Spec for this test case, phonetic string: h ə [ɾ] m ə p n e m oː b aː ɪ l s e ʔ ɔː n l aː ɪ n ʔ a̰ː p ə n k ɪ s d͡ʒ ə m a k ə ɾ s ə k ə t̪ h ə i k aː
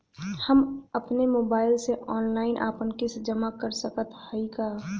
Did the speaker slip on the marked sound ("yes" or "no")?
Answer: yes